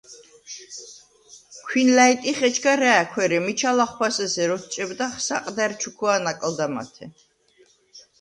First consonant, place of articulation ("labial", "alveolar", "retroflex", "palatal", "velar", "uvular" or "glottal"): velar